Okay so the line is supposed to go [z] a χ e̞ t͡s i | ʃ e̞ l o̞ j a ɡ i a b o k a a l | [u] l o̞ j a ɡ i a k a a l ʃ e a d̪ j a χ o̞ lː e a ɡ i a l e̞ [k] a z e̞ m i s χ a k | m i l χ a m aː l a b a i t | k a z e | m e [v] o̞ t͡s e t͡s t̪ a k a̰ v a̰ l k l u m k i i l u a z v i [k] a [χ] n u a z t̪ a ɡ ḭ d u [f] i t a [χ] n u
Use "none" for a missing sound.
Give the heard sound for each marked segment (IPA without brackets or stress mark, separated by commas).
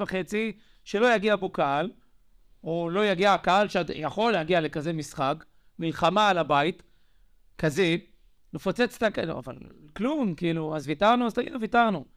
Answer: v, o, k, f, t, ʁ, v, ʁ